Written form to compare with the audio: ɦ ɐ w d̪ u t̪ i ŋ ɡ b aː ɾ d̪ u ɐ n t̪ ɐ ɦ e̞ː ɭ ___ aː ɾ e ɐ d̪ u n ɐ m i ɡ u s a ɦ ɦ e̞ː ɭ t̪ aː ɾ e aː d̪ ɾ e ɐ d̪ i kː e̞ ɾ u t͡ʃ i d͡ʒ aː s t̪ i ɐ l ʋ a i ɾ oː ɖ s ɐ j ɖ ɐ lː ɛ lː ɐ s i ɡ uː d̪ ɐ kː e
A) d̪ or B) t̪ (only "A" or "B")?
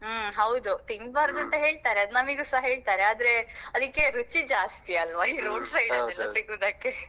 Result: B